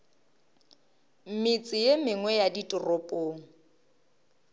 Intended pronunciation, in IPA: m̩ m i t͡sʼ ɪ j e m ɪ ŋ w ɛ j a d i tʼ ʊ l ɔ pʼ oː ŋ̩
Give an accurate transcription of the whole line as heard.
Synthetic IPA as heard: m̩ m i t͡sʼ ɪ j e m ɪ ŋ w ɛ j a d i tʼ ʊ r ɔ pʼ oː ŋ̩